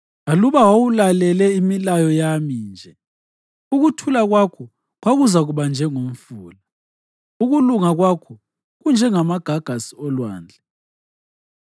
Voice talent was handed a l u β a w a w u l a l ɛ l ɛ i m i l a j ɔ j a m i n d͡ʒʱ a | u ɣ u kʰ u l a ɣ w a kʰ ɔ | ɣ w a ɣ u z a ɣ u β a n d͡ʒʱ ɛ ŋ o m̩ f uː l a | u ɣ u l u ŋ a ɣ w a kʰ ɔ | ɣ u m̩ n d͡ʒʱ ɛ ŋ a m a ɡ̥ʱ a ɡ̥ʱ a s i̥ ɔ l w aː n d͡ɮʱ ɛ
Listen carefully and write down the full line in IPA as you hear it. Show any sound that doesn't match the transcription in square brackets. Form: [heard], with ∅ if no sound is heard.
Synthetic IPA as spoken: a l u β a w a w u l a l ɛ l ɛ i m i l a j ɔ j a m i n d͡ʒʱ [ɛ] | u ɣ u [tʰ] u l a ɣ w a kʰ ɔ | ɣ w a ɣ u z a ɣ u β a n d͡ʒʱ ɛ ŋ o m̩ f uː l a | u ɣ u l u ŋ a ɣ w a kʰ ɔ | ɣ u [∅] n d͡ʒʱ ɛ ŋ a m a ɡ̥ʱ a ɡ̥ʱ a s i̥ ɔ l w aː n d͡ɮʱ ɛ